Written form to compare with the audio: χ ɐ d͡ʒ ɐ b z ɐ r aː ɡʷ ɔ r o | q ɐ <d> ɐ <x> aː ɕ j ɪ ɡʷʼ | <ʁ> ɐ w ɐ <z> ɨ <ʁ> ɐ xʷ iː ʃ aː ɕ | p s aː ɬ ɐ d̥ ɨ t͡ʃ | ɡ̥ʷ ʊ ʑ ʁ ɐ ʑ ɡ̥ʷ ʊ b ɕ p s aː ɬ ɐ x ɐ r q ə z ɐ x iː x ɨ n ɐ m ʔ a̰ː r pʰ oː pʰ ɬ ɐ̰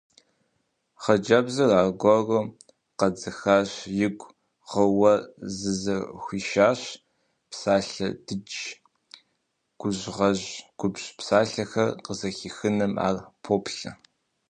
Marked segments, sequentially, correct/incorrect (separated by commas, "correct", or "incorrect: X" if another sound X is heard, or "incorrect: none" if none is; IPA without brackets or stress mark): incorrect: d͡z, correct, correct, correct, incorrect: z